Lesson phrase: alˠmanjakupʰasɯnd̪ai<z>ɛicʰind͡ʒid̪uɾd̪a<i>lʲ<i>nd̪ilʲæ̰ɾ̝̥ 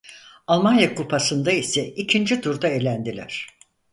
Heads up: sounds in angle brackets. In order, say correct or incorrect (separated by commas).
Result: incorrect, incorrect, incorrect